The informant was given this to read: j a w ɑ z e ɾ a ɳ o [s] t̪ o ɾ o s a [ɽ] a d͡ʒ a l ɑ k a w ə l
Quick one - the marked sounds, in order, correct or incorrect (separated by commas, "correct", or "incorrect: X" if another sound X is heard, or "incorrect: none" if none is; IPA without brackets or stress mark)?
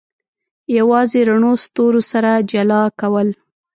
correct, incorrect: ɾ